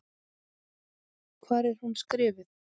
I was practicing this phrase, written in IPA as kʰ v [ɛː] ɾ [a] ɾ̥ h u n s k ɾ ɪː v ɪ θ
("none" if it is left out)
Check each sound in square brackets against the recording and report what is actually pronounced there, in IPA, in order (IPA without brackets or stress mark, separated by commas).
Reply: aː, ɛ